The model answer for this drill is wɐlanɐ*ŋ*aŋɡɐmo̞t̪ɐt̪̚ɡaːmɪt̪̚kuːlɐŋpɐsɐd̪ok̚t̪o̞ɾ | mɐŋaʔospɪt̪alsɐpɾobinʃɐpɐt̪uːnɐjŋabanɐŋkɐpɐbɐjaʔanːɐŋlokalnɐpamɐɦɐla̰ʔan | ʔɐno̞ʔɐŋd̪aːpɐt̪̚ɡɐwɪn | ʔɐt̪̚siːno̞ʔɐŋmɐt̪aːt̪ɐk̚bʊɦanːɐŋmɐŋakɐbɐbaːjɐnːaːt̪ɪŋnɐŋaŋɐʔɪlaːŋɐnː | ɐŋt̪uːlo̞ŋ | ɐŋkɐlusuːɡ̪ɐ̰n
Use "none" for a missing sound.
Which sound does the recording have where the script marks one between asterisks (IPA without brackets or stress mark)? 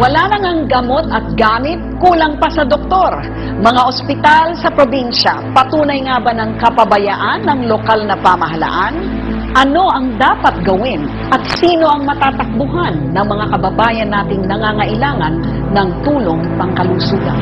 ŋ